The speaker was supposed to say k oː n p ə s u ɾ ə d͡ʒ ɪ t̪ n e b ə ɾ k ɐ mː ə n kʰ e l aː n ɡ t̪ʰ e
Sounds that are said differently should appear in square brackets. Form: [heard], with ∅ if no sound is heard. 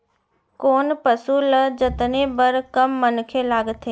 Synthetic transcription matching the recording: k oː n p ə s u [l] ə d͡ʒ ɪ t̪ n e b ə ɾ k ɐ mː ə n kʰ e l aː [∅] ɡ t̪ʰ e